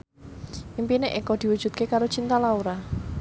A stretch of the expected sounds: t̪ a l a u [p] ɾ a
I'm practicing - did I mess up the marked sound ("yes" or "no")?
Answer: yes